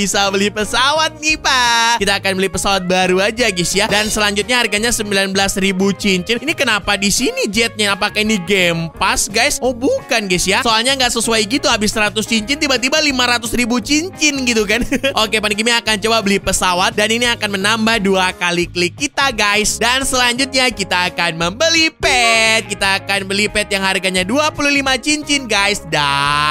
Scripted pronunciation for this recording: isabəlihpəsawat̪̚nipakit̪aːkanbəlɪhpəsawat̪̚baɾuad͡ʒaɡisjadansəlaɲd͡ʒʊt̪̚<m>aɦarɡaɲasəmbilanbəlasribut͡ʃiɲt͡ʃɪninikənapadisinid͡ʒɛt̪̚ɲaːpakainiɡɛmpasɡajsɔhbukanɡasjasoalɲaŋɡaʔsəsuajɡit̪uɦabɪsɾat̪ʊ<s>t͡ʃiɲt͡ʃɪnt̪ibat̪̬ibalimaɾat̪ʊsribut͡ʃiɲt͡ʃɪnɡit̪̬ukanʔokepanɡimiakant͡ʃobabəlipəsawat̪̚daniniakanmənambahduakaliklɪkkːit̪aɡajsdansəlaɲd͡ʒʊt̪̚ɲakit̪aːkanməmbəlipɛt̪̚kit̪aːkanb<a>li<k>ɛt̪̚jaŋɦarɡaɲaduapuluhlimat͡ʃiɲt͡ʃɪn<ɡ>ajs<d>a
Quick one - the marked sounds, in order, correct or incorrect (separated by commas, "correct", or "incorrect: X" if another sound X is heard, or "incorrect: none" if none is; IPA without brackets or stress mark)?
incorrect: ɲ, correct, incorrect: ə, incorrect: p, correct, correct